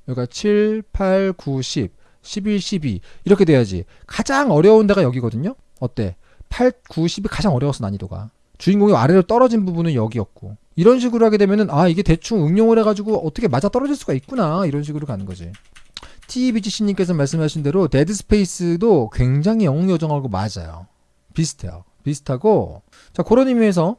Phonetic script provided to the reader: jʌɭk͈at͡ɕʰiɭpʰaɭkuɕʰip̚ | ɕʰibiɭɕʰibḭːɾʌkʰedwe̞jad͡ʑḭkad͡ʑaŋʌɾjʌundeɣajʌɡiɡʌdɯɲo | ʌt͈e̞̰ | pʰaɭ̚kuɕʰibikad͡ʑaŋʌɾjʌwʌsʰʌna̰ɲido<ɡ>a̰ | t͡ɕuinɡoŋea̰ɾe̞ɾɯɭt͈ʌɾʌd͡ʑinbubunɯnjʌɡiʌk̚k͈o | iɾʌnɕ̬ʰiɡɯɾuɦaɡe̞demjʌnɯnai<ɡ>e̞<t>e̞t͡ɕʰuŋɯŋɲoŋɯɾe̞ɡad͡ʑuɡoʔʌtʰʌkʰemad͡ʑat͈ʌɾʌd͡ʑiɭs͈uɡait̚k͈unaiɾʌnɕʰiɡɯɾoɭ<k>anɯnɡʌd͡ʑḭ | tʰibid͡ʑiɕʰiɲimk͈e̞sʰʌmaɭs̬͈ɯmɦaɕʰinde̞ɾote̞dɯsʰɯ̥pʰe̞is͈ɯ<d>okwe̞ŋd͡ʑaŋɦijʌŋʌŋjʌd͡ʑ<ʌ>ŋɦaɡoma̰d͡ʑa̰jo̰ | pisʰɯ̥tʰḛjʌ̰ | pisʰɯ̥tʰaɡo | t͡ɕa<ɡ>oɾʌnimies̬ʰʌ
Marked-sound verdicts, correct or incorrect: correct, correct, correct, correct, correct, correct, incorrect

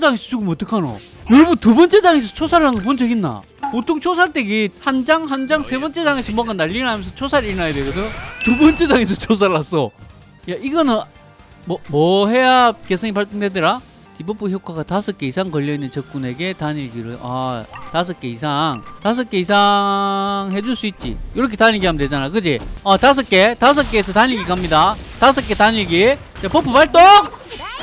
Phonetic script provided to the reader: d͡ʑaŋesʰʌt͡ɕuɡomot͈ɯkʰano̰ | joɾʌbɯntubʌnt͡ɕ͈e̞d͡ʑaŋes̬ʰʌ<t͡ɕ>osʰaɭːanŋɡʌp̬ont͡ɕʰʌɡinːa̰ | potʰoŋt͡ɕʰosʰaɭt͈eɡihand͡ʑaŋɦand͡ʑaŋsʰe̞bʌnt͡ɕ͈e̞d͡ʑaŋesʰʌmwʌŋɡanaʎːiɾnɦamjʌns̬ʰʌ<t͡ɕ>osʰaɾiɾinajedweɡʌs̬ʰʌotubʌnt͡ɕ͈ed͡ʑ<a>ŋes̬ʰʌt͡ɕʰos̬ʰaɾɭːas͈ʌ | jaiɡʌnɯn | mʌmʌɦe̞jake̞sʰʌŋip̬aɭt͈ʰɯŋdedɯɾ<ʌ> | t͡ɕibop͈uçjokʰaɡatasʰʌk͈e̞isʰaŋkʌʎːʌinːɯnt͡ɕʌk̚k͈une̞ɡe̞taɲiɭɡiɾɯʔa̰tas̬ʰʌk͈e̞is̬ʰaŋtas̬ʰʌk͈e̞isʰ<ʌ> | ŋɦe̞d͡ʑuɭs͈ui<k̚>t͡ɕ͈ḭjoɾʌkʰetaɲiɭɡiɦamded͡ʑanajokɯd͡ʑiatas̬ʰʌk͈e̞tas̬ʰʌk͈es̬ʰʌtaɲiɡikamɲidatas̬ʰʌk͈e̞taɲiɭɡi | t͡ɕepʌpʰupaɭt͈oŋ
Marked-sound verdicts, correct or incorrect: incorrect, incorrect, correct, incorrect, incorrect, incorrect

